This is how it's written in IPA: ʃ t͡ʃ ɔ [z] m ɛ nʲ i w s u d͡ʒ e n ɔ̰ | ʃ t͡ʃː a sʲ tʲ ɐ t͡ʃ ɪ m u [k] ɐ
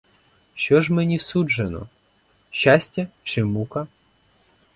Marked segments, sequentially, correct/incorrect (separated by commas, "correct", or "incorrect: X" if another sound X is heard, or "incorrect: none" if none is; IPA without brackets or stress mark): incorrect: ʒ, correct